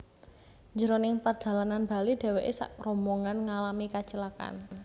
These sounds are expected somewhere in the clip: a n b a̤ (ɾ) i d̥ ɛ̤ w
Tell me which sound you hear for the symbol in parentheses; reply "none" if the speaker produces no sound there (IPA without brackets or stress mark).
l